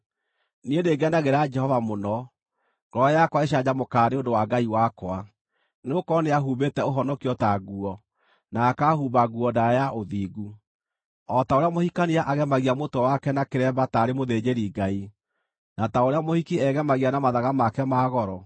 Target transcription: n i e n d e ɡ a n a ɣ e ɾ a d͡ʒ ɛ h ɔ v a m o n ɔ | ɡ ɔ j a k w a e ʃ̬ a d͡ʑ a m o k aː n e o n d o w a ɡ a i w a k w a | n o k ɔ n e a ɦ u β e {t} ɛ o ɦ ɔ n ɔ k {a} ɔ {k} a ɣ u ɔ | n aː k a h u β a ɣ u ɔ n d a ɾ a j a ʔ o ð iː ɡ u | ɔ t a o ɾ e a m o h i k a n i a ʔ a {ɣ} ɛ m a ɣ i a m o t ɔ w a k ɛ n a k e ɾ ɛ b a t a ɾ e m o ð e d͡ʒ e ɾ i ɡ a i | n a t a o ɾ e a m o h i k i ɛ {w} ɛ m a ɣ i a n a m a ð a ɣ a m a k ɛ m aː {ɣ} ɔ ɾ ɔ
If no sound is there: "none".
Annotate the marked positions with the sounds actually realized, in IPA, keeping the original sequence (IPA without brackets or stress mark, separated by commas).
t, i, t, ɣ, ɣ, ɣ